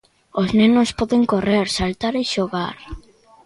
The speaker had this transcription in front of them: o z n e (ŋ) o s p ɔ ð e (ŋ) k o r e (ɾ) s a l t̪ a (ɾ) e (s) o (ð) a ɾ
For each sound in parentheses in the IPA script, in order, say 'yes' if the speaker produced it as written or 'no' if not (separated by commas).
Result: no, yes, yes, yes, no, no